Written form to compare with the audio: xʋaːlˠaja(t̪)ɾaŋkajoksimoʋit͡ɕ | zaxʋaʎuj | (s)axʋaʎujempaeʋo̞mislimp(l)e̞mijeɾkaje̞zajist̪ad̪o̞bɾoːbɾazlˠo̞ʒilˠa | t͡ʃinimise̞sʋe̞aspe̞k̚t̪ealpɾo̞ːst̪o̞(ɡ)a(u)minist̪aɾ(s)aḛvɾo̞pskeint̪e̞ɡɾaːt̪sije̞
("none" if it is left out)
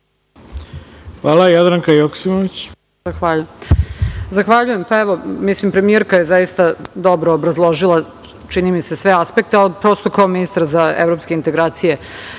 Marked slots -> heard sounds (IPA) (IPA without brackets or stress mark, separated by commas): d̪, z, ɾ, k, o, z